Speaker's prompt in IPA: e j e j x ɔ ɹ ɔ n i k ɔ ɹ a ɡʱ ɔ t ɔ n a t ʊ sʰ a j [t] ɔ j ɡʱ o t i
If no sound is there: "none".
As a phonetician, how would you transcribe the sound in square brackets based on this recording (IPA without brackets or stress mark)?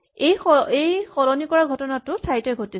t